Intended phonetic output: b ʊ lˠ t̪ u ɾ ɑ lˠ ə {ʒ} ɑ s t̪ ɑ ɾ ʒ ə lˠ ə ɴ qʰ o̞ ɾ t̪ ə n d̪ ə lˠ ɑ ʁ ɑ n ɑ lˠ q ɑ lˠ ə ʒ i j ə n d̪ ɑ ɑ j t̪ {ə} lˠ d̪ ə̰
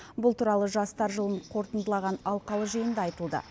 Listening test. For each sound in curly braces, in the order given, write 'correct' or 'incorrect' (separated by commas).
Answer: correct, correct